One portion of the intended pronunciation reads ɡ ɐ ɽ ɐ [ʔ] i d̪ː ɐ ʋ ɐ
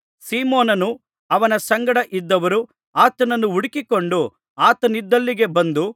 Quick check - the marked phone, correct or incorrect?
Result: correct